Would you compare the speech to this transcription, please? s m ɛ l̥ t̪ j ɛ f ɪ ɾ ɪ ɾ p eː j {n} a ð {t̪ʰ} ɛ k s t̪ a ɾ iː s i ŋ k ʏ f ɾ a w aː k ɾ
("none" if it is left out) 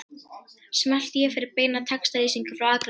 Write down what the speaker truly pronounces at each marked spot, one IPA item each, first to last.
n, t̪ʰ

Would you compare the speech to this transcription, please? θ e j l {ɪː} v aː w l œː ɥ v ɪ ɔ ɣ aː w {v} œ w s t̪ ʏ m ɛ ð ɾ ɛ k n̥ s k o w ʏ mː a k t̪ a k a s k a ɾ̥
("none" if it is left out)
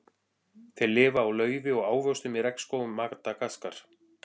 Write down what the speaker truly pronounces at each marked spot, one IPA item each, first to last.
ɪː, v

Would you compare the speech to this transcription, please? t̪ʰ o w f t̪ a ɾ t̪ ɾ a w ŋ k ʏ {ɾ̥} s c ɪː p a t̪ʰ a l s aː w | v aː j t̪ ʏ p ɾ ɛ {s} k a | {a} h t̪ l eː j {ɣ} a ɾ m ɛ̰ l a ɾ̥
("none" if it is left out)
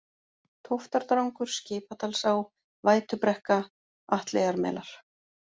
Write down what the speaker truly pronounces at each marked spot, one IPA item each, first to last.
ɾ̥, h, a, ɣ

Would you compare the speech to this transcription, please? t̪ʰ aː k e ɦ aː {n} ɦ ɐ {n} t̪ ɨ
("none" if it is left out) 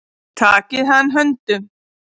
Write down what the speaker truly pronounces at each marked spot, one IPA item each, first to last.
n, n

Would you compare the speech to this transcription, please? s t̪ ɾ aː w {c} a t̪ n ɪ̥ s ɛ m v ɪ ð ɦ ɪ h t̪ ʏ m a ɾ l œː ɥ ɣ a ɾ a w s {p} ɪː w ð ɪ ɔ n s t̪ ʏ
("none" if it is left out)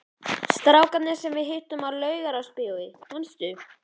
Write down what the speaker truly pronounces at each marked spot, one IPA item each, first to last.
k, p

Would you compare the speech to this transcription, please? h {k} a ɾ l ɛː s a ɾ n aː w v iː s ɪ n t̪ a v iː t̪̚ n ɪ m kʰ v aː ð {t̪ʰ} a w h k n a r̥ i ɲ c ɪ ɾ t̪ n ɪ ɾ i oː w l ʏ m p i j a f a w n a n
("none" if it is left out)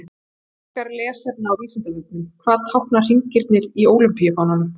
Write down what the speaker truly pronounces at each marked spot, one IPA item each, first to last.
k, t̪ʰ

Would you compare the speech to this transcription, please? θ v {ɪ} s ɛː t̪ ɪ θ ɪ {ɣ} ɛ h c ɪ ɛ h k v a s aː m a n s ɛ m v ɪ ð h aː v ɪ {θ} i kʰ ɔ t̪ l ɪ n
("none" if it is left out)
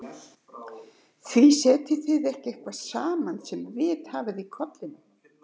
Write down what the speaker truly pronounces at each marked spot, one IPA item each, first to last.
i, ð, ð

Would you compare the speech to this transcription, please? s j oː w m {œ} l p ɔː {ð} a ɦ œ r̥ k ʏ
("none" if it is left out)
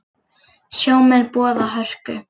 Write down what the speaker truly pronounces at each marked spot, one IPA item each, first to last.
ɛ, ð

